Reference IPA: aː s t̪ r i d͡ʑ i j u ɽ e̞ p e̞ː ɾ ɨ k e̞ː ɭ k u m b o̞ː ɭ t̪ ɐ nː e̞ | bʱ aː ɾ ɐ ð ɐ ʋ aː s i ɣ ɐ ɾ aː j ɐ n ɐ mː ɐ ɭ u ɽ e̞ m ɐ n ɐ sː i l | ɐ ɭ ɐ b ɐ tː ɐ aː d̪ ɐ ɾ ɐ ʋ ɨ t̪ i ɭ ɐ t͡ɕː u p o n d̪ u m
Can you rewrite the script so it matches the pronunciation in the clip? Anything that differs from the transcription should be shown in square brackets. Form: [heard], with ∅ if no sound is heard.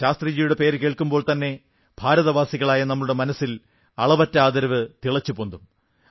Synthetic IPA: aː s t̪ r i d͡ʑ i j u ɽ e̞ p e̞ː ɾ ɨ k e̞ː ɭ k u m b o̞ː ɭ t̪ ɐ nː e̞ | bʱ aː ɾ ɐ ð ɐ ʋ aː s i ɣ ɐ [ɭ] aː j ɐ n ɐ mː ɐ ɭ u ɽ e̞ m ɐ n ɐ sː i l | ɐ ɭ ɐ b ɐ tː ɐ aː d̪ ɐ ɾ ɐ ʋ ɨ t̪ i ɭ ɐ t͡ɕː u p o n d̪ u m